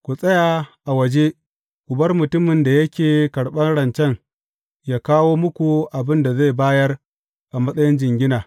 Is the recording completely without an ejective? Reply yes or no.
no